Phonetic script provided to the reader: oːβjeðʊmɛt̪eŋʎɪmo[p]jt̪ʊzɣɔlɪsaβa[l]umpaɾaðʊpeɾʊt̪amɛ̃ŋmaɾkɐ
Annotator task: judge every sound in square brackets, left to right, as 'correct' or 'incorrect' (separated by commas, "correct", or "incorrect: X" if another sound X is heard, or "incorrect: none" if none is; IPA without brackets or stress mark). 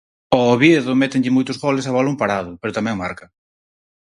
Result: incorrect: none, correct